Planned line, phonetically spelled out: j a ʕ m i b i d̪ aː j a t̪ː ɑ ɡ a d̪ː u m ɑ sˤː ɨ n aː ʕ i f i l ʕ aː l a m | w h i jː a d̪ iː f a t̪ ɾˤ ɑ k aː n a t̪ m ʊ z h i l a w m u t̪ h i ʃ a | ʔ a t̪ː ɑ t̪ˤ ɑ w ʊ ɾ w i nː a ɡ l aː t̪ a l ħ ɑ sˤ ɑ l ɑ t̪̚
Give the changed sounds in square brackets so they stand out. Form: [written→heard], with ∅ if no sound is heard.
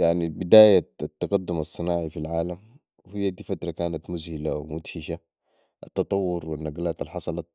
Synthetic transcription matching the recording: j a ʕ [m→n] i b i d̪ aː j a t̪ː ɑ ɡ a d̪ː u m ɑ sˤː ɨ n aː ʕ i f i l ʕ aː l a m | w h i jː a d̪ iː f a t̪ ɾˤ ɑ k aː n a t̪ m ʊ z h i l a w m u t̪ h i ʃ a | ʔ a t̪ː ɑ t̪ˤ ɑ [w→wː] ʊ ɾ w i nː a ɡ l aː t̪ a l ħ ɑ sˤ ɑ l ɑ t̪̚